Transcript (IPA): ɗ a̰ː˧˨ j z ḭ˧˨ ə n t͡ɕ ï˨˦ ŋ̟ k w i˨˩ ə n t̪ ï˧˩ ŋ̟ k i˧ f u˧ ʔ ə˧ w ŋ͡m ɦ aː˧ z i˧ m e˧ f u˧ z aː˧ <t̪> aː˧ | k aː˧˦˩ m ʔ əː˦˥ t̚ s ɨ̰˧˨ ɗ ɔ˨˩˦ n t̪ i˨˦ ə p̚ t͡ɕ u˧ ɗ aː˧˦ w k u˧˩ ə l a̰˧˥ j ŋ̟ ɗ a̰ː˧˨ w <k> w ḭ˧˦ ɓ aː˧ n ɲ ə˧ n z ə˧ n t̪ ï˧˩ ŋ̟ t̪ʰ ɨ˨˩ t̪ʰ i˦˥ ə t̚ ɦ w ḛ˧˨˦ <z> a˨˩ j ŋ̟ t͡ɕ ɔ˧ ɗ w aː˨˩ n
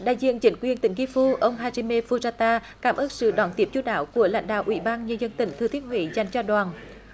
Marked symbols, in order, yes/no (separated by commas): yes, no, yes